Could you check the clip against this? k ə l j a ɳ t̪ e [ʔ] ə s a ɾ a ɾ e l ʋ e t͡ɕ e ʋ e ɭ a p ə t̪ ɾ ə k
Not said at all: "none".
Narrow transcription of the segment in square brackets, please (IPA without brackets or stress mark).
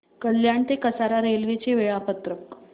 k